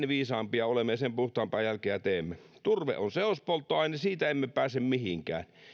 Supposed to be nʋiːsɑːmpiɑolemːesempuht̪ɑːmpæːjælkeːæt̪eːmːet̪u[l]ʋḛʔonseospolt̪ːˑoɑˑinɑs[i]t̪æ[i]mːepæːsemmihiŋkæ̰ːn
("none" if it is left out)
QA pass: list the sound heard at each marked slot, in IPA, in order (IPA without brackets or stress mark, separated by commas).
r, iː, e